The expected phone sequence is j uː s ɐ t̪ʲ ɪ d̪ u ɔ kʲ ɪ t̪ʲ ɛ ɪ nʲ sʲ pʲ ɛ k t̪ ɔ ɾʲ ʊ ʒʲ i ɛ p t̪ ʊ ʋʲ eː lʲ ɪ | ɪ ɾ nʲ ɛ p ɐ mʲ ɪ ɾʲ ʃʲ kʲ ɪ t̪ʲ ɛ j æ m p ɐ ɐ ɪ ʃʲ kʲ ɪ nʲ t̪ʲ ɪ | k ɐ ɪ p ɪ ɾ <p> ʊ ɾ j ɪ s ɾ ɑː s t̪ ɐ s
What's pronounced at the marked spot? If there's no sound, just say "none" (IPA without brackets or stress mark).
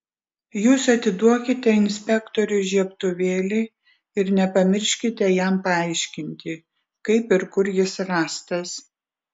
k